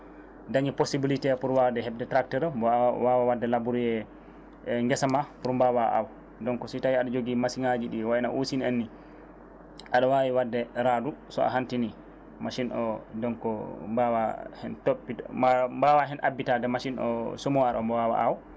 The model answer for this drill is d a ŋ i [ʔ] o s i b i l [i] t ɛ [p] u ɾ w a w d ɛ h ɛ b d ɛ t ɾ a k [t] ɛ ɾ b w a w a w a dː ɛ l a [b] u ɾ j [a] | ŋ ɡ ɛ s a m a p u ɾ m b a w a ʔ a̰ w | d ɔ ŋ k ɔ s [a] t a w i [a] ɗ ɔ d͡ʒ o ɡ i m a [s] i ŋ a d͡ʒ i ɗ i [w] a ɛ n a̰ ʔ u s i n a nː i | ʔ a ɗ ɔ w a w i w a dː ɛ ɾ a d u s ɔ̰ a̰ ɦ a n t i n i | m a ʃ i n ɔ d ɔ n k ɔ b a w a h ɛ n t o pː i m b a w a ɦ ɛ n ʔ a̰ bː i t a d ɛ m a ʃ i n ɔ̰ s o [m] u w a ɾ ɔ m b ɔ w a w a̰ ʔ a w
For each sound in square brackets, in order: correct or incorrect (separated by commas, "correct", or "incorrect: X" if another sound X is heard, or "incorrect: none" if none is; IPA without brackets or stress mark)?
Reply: incorrect: p, correct, correct, correct, correct, incorrect: ɛ, incorrect: i, correct, correct, correct, correct